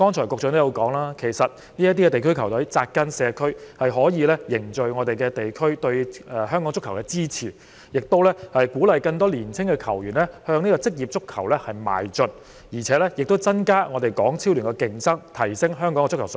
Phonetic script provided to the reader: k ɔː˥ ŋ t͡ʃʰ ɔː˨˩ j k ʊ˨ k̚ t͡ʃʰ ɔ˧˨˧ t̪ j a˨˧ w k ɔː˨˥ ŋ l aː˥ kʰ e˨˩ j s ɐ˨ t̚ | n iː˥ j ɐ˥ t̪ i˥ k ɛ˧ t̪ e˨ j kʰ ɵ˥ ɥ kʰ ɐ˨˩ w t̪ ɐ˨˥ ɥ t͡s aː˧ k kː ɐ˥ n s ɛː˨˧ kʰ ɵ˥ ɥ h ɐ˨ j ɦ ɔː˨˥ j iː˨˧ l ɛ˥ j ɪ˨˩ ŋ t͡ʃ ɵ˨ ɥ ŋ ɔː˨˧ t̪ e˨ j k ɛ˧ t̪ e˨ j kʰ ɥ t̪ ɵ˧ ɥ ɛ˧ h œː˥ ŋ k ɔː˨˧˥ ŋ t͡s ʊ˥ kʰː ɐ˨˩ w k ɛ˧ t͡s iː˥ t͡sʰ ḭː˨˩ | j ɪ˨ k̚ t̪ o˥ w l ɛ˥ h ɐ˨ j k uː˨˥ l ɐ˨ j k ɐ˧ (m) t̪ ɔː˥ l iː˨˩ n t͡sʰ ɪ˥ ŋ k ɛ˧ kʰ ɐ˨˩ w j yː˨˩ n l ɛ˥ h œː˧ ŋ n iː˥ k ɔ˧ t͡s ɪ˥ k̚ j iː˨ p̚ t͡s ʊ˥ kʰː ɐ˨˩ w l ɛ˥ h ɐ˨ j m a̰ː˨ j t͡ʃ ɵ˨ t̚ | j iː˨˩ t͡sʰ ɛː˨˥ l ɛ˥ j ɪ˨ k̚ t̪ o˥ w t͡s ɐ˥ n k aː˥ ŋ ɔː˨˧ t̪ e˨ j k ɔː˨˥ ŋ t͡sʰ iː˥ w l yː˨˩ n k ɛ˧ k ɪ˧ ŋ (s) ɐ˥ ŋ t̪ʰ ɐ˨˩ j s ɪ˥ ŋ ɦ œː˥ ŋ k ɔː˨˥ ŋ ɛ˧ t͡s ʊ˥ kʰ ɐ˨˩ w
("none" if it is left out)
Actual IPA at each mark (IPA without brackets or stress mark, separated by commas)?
ŋ, s